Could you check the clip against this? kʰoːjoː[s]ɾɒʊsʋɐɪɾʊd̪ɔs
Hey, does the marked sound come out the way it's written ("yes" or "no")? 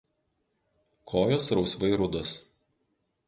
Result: yes